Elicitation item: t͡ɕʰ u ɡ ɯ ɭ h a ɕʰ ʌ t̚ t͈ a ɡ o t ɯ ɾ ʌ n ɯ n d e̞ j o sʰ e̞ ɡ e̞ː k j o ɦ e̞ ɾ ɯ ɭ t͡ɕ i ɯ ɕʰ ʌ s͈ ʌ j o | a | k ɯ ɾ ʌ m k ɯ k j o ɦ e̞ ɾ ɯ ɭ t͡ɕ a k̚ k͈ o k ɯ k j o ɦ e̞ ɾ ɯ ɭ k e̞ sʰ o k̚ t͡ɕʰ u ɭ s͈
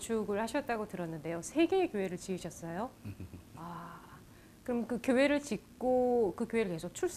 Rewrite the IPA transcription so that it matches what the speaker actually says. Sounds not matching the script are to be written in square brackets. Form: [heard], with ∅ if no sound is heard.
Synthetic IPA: t͡ɕʰ u ɡ ɯ ɭ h a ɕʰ ʌ t̚ t͈ a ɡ o t ɯ ɾ ʌ [nː] ɯ n d e̞ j o sʰ e̞ ɡ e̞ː k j o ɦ e̞ ɾ ɯ ɭ t͡ɕ i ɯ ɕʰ ʌ s͈ ʌ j o | a | k ɯ ɾ ʌ m k ɯ k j o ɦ e̞ ɾ ɯ ɭ t͡ɕ [i] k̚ k͈ o k ɯ k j o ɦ e̞ ɾ ɯ ɭ k e̞ sʰ o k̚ t͡ɕʰ u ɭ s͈